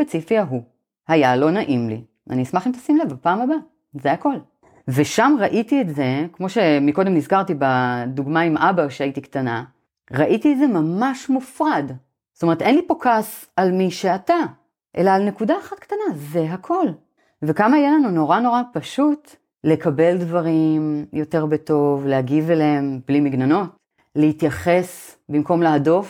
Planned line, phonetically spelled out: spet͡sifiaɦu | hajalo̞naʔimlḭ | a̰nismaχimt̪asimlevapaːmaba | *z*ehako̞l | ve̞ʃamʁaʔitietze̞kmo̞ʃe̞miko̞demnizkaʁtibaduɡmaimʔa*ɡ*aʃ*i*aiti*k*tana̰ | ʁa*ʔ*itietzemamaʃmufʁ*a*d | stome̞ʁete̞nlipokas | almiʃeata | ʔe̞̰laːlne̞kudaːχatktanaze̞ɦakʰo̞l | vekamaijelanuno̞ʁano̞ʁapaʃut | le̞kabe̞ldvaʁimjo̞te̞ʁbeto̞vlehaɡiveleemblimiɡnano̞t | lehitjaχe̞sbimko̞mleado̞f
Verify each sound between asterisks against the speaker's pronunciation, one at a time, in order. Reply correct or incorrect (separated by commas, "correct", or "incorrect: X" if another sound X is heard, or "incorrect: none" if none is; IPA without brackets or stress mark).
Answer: correct, incorrect: b, incorrect: e, correct, correct, correct